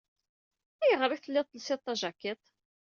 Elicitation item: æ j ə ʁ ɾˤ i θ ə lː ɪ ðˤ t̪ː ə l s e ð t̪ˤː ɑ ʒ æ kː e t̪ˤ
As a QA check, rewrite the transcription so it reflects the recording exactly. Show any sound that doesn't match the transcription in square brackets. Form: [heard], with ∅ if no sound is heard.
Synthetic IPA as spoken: æ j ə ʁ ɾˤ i θ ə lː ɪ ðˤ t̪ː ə l s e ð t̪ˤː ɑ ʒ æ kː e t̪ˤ